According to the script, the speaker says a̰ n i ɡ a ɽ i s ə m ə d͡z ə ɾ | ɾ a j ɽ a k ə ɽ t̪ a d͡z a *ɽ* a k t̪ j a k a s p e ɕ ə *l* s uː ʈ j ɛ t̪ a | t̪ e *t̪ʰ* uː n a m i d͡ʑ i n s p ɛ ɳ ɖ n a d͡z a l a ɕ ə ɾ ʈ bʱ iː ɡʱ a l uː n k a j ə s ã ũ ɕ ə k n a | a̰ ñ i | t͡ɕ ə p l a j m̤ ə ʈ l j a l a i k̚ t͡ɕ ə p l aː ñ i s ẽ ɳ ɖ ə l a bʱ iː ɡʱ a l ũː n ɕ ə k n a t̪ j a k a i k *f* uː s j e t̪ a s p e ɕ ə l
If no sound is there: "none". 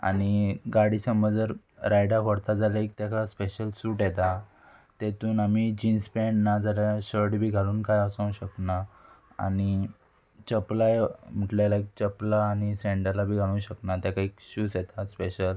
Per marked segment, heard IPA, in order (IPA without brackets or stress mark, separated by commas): l, l, t̪, ɕ